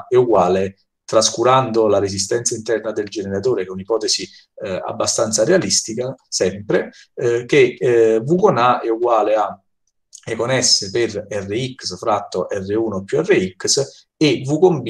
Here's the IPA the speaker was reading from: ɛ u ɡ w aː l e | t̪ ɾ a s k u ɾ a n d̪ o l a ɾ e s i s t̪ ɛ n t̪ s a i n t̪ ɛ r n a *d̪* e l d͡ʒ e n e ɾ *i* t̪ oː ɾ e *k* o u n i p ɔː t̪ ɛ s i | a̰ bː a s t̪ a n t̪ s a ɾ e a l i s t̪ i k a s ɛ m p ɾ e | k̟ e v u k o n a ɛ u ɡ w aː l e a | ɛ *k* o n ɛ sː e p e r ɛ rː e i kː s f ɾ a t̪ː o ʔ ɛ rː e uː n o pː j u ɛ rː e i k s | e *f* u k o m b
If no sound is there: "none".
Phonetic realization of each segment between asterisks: d̪, a, k, k, v

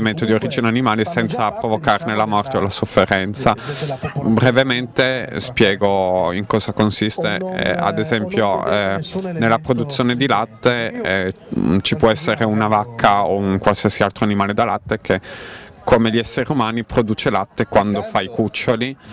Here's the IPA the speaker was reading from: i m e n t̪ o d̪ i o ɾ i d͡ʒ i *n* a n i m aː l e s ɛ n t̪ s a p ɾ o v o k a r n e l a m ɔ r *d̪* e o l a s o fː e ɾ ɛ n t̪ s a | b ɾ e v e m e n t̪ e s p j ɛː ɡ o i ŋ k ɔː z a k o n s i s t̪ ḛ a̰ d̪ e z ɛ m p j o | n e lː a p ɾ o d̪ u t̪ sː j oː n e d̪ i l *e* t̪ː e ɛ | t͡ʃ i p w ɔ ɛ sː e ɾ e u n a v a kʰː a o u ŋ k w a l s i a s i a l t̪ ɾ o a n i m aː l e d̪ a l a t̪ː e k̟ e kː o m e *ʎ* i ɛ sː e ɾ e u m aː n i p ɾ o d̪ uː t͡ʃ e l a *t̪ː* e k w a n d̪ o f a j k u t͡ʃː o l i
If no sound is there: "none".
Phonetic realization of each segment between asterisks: n, t̪, a, ʎ, t̪ː

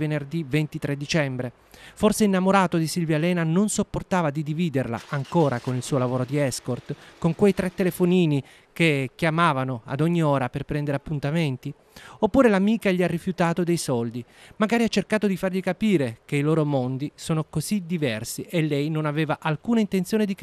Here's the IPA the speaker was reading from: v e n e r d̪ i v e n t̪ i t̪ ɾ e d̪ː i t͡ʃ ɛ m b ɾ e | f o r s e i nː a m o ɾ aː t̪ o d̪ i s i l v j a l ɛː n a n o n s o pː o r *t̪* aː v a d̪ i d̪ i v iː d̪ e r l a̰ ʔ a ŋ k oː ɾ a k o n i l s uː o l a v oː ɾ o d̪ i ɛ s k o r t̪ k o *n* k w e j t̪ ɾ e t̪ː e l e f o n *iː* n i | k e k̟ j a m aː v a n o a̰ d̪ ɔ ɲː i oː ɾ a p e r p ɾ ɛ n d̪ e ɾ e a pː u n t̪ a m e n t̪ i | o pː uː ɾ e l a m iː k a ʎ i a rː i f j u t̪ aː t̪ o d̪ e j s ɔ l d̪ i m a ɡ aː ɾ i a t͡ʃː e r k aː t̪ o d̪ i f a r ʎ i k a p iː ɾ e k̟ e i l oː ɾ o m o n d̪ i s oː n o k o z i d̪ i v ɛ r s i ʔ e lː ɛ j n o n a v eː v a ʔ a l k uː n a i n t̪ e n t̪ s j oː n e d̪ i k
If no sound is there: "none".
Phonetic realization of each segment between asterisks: t̪, ŋ, iː

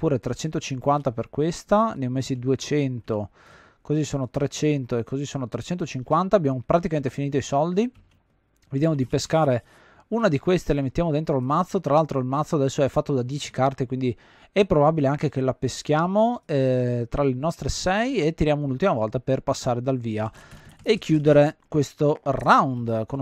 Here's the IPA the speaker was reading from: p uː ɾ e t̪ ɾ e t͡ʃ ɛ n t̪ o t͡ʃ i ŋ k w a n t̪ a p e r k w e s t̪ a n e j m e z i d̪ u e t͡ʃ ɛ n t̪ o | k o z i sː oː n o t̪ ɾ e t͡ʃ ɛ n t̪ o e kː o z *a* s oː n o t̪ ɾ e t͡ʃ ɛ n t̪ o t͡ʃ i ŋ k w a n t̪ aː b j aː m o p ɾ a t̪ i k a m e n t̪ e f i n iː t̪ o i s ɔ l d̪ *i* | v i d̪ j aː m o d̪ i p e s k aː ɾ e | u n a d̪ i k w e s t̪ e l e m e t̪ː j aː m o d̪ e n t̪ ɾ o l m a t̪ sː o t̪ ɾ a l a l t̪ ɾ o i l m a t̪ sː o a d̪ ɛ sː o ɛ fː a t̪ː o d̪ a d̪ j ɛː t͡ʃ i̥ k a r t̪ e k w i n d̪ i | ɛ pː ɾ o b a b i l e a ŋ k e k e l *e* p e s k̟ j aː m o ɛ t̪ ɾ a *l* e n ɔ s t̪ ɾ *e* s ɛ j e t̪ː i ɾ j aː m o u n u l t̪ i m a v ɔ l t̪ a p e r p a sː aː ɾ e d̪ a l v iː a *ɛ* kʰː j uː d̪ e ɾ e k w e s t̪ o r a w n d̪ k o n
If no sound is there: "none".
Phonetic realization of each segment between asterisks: i, i, a, l, e, e

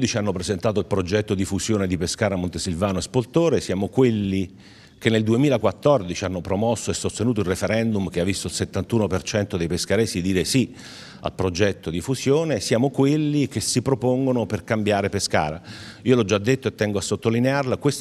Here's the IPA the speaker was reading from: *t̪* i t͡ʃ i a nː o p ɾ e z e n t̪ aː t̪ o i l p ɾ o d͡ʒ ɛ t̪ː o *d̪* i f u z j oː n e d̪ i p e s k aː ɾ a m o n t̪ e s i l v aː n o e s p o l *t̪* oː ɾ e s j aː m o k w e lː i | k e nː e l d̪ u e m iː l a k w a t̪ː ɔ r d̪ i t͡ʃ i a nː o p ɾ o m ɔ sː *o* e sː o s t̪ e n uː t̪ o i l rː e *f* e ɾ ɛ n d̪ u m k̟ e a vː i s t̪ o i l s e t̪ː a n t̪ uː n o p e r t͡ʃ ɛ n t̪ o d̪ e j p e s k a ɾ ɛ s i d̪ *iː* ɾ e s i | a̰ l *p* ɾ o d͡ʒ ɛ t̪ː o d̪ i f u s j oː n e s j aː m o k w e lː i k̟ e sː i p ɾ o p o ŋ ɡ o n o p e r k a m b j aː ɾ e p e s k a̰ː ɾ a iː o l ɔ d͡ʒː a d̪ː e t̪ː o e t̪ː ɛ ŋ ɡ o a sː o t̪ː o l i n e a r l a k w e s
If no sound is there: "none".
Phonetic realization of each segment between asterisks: d̪, d̪, t̪, o, f, iː, p

